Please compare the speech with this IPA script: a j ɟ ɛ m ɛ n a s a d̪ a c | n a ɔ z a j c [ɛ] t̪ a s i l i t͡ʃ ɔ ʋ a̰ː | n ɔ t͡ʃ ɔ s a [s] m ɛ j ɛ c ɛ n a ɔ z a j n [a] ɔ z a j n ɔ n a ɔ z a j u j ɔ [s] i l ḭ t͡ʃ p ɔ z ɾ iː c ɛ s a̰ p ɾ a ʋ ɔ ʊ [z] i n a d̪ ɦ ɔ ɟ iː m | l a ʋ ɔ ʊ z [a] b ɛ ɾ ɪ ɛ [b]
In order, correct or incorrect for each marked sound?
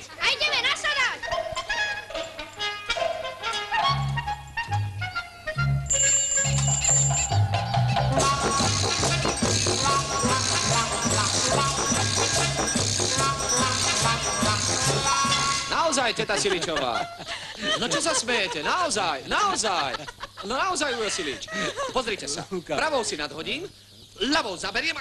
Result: correct, correct, correct, correct, incorrect, correct, incorrect

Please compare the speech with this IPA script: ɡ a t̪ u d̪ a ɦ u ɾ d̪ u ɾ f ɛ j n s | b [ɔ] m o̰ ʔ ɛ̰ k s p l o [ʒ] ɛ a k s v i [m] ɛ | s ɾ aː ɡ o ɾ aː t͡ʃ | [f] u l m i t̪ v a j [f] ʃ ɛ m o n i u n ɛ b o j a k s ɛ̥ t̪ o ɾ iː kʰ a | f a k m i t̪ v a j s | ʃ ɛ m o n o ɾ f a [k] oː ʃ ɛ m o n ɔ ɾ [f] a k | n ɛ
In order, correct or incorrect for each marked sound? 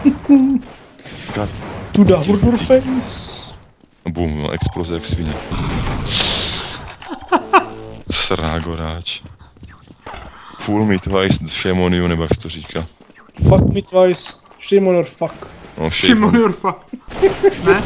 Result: incorrect, incorrect, incorrect, correct, incorrect, correct, correct

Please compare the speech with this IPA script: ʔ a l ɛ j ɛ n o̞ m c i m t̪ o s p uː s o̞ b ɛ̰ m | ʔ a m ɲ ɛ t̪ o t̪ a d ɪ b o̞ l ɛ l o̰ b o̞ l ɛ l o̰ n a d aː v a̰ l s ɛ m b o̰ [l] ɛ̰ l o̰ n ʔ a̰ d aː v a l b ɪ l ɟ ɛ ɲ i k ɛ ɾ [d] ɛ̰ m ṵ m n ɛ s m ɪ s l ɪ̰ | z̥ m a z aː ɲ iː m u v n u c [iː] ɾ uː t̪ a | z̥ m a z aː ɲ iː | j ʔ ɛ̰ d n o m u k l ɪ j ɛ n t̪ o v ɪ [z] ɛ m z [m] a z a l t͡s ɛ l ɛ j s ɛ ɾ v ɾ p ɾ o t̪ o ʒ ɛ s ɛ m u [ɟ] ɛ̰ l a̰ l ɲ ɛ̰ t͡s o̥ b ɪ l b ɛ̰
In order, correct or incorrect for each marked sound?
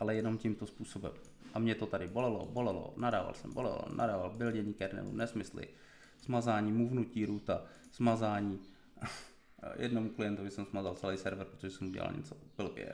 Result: correct, incorrect, correct, incorrect, correct, correct

